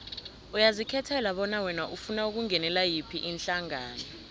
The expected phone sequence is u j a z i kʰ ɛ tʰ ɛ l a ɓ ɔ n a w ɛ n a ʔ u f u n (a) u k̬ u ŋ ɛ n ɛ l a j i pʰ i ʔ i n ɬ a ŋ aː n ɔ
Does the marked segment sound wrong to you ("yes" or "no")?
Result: no